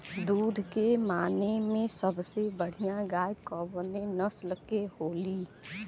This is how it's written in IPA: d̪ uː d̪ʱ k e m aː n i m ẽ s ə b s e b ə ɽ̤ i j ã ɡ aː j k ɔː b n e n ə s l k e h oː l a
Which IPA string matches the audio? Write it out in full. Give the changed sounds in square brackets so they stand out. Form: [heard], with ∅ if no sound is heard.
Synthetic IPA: d̪ uː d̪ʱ k e m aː n [e] m ẽ s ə b s e b ə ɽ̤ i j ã ɡ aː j k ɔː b n e n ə s l k e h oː l [i]